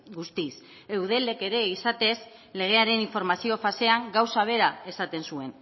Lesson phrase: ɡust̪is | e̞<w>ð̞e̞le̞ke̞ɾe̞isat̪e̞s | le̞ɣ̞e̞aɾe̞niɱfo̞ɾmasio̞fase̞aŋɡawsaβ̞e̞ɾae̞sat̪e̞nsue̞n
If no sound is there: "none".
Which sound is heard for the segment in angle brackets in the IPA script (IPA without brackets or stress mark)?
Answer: w